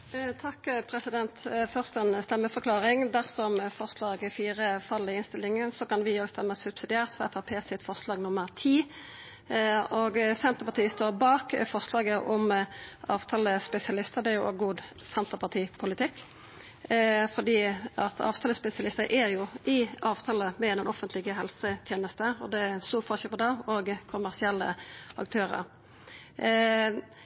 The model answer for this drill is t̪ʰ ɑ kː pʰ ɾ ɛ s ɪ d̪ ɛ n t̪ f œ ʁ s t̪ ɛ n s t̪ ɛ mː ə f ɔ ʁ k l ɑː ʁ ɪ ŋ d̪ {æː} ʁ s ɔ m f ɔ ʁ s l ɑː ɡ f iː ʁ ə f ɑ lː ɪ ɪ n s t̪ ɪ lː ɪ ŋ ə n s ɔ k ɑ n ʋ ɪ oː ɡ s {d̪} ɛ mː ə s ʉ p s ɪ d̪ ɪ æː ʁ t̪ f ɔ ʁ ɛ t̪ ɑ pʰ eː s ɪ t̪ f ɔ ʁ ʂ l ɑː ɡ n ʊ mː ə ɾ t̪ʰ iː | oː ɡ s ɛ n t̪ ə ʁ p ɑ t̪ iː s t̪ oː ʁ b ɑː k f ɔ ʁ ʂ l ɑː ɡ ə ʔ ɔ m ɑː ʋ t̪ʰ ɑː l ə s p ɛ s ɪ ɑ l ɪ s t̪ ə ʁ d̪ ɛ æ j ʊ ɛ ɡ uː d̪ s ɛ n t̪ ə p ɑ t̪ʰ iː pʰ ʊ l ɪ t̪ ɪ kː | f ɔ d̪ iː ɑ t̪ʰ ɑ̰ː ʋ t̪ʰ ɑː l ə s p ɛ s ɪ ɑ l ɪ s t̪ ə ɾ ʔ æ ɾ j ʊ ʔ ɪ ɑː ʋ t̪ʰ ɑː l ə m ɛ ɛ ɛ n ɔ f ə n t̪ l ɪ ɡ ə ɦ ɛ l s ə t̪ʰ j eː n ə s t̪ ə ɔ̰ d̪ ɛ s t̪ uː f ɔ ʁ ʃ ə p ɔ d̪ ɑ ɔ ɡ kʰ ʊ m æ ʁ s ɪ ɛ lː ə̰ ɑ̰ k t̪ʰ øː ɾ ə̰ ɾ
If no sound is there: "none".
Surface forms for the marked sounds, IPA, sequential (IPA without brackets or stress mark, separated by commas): æ, t̪